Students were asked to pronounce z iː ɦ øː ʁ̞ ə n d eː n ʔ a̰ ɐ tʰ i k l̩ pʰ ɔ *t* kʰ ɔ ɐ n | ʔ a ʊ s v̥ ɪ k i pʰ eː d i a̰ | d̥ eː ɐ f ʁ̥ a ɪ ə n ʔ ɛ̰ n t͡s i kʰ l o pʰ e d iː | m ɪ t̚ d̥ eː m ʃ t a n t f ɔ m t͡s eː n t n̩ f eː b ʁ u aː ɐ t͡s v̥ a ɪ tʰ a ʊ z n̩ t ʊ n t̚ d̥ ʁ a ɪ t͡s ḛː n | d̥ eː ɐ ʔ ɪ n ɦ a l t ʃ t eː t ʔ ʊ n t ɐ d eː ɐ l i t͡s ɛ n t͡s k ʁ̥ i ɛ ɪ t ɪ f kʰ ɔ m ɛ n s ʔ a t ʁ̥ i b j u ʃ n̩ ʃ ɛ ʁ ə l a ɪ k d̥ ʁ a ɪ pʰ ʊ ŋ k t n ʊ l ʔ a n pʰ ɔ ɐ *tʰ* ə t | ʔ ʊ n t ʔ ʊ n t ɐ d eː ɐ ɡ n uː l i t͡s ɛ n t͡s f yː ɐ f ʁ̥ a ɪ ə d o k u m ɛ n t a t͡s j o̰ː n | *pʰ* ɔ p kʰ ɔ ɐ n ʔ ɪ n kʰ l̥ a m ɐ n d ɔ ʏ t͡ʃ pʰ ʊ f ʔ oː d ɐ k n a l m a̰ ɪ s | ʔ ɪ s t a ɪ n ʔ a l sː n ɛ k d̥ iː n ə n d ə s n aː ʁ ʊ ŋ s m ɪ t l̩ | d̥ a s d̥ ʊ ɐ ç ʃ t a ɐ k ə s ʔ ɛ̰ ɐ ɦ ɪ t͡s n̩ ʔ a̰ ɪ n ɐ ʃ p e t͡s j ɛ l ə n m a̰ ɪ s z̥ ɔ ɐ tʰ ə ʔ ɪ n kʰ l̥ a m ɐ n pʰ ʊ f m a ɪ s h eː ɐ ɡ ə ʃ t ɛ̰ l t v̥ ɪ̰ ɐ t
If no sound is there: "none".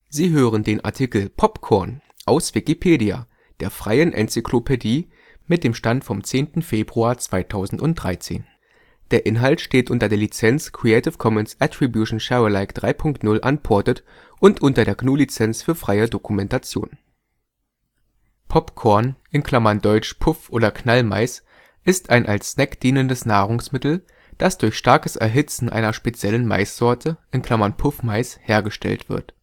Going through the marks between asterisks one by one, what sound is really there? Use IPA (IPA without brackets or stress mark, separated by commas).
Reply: p, t, pʰ